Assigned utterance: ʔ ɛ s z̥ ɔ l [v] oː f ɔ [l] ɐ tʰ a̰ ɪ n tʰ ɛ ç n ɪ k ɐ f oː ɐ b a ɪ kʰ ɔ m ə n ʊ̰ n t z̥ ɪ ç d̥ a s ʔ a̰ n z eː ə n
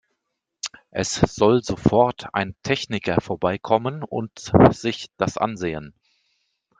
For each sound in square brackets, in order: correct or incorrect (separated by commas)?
incorrect, incorrect